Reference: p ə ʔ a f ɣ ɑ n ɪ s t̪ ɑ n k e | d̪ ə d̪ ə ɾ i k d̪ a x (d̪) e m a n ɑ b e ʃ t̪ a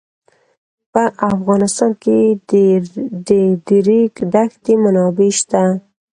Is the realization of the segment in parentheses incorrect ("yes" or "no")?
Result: yes